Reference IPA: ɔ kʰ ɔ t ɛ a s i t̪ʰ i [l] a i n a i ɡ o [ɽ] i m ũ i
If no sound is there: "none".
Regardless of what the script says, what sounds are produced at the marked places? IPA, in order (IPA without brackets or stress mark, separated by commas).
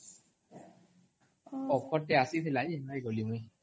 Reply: l, l